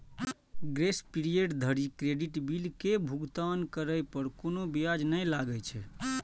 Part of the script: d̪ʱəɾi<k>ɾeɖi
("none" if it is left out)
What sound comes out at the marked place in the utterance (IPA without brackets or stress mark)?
k